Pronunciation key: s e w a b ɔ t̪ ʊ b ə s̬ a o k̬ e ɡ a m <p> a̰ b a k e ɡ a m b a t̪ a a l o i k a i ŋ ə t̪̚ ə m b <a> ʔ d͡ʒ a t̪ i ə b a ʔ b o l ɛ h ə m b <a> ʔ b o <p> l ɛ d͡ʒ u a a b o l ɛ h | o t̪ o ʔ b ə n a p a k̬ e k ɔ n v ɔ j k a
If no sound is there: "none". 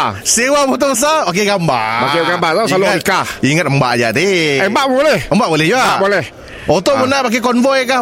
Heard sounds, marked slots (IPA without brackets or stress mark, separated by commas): b, a, a, none